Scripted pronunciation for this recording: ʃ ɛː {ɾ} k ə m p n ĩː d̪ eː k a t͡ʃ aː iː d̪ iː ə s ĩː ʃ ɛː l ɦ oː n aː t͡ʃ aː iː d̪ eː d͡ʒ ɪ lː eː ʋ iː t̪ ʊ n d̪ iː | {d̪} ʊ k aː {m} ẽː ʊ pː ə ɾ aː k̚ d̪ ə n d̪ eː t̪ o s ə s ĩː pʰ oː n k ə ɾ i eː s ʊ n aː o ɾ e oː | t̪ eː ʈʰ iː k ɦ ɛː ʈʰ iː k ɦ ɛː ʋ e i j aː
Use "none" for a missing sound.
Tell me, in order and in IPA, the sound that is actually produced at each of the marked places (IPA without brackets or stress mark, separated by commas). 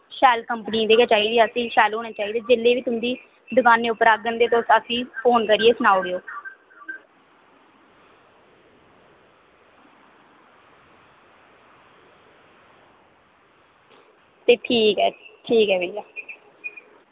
l, d̪, n